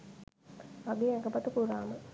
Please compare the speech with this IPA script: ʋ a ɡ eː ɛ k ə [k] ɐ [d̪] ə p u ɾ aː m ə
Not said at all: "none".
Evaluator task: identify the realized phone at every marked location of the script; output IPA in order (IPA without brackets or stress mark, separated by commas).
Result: p, t̪